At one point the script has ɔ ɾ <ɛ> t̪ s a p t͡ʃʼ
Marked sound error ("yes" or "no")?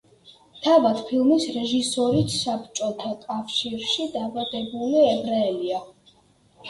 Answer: yes